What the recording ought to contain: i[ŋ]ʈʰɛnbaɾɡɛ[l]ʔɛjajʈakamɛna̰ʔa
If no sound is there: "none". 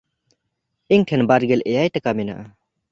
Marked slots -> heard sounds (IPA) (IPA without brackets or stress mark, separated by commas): ŋ, l